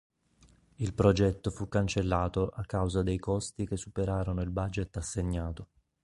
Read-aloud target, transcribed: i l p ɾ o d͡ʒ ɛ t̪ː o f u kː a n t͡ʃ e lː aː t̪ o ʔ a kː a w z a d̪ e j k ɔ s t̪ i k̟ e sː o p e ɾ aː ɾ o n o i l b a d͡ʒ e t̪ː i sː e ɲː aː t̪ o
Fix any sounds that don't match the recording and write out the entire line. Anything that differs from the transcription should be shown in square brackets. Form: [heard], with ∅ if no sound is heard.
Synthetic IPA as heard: i l p ɾ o d͡ʒ ɛ t̪ː o f u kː a n t͡ʃ e lː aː t̪ o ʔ a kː a w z a d̪ e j k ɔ s t̪ i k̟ e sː [u] p e ɾ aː ɾ o n o i l b a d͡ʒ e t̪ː [a] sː e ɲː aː t̪ o